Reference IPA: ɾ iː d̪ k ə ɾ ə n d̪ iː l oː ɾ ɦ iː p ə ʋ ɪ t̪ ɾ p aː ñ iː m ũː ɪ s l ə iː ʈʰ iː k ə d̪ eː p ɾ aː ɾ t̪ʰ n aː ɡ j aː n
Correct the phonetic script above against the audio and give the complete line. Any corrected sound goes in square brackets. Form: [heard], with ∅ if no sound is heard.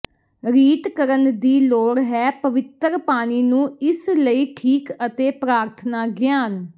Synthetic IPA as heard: ɾ iː [t̪] k ə ɾ ə n d̪ iː l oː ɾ ɦ [ɛː] p ə ʋ ɪ t̪ ɾ p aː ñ iː [n] ũː ɪ s l ə iː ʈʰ iː k ə [t̪] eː p ɾ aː ɾ t̪ʰ n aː ɡ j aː n